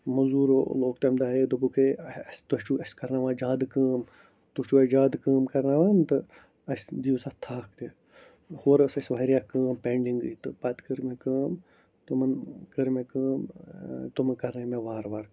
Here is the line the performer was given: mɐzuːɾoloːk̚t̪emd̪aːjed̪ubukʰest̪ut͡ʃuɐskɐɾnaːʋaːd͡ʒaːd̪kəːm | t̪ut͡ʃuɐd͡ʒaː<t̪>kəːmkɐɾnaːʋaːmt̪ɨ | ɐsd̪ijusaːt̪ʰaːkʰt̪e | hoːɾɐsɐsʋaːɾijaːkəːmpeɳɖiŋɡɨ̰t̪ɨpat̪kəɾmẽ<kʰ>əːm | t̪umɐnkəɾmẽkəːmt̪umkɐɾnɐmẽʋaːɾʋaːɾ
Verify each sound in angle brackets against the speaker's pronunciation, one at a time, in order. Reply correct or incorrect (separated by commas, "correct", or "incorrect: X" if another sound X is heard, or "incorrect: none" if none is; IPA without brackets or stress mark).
incorrect: d̪, incorrect: k